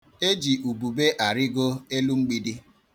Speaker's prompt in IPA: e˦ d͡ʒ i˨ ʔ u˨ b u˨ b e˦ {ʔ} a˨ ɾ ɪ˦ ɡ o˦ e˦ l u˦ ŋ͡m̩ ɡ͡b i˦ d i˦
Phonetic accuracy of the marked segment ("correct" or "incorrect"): correct